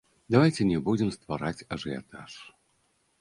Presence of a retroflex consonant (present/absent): present